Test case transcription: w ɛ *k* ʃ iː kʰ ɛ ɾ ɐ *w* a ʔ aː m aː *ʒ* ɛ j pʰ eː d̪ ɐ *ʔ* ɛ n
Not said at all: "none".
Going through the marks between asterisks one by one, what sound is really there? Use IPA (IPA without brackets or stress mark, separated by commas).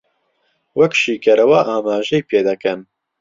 k, w, ʒ, k